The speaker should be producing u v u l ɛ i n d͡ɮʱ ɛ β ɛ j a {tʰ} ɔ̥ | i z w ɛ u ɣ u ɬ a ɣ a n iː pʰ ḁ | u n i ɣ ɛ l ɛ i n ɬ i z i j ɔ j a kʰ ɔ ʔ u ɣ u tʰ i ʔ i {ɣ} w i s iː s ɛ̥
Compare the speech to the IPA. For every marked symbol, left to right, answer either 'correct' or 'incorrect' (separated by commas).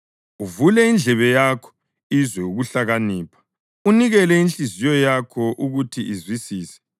incorrect, incorrect